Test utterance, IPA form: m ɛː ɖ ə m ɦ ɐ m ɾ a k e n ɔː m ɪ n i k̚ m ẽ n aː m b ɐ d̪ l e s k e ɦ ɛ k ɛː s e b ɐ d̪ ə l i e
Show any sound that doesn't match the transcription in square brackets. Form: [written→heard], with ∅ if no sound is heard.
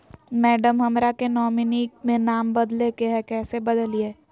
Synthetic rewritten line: m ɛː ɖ ə m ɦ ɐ m ɾ a k e n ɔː m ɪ n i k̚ m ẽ n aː m b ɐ d̪ l e [s→∅] k e ɦ ɛ k ɛː s e b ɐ d̪ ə l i e